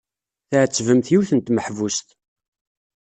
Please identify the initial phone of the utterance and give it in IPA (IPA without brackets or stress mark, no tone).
θ